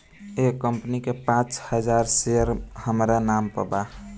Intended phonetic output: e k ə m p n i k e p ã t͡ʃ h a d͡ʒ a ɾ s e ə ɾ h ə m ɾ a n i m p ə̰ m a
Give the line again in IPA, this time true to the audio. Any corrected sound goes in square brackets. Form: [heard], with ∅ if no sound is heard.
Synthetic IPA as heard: e k ə m p n i k e p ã t͡ʃ h [ə] d͡ʒ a ɾ s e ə ɾ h ə m ɾ a n [a] m p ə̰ [b] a